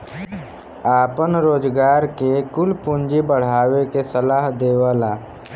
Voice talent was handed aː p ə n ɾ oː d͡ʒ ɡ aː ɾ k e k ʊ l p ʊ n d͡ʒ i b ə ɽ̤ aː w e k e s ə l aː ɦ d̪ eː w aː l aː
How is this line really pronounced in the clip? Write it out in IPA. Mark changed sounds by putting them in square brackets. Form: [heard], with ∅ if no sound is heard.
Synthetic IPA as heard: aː p ə n ɾ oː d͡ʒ ɡ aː ɾ k e k ʊ l p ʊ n d͡ʒ i b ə ɽ̤ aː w e k e s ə l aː ɦ d̪ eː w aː l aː